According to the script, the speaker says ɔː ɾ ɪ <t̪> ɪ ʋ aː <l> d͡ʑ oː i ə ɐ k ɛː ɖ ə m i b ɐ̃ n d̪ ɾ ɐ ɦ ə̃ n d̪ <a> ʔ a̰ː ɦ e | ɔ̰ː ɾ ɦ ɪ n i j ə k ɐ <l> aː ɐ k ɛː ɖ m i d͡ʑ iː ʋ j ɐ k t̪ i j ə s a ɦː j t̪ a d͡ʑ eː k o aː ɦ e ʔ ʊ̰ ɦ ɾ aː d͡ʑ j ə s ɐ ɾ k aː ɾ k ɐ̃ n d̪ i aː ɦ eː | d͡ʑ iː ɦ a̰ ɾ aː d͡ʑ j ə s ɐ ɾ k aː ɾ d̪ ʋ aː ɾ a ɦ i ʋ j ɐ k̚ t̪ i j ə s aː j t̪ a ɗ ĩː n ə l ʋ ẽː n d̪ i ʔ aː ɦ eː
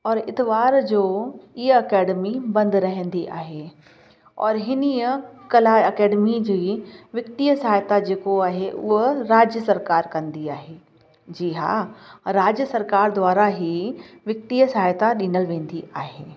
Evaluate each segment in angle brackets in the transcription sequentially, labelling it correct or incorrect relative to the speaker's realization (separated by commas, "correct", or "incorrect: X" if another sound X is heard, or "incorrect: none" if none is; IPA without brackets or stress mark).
correct, incorrect: ɾ, incorrect: i, correct